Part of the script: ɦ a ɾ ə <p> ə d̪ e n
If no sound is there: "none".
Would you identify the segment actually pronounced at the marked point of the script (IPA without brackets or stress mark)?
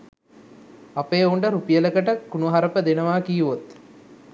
p